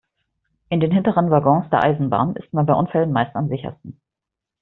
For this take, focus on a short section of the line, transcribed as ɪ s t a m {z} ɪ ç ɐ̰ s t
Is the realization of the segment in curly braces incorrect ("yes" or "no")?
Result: no